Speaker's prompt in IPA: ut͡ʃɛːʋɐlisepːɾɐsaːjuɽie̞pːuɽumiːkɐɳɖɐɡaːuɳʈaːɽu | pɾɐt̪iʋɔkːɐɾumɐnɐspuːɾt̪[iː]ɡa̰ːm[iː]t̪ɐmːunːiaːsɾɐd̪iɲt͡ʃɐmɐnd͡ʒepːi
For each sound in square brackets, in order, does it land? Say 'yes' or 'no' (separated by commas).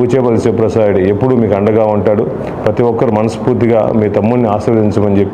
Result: no, yes